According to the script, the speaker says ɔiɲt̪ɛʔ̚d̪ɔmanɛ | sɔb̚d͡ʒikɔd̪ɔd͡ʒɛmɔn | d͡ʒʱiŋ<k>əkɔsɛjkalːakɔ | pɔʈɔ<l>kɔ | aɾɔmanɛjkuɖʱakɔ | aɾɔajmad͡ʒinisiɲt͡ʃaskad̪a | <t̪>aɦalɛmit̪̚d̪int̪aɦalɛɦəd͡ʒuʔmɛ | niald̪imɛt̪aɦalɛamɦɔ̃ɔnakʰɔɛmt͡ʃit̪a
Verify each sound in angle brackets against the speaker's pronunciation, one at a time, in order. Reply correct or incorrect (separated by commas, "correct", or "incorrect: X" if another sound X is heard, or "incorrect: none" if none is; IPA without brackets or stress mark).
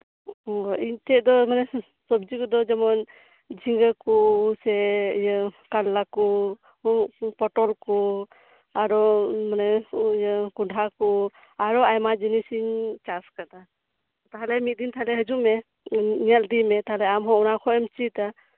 incorrect: ɡ, correct, correct